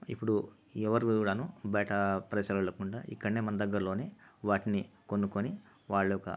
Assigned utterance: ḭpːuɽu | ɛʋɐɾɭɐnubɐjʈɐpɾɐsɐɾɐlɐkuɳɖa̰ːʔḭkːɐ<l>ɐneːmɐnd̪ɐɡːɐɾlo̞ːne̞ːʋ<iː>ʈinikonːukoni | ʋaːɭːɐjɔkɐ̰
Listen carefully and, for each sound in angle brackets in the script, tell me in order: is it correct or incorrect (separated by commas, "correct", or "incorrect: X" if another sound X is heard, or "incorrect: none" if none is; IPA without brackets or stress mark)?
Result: incorrect: ɽ, incorrect: aː